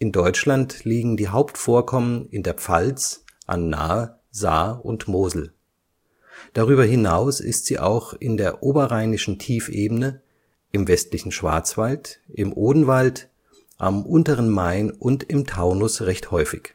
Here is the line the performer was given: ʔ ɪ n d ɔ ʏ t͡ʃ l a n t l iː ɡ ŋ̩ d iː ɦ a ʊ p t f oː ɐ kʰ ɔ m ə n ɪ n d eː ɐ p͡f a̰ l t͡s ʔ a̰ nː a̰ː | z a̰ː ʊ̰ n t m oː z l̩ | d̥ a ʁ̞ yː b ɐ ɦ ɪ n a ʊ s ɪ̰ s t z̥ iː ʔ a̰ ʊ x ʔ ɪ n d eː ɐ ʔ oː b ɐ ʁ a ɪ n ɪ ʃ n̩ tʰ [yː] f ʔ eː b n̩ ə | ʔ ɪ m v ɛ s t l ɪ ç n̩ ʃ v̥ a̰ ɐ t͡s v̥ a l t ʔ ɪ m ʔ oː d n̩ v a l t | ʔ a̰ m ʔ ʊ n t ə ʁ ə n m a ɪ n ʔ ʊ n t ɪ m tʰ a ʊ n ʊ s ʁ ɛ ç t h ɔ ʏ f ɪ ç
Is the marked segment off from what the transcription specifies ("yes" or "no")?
yes